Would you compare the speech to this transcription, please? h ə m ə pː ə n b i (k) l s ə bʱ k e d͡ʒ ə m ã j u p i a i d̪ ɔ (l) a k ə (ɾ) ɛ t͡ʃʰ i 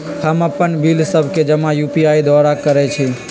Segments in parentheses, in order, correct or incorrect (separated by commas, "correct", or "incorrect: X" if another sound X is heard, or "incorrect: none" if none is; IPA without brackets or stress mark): incorrect: none, incorrect: ɾ, correct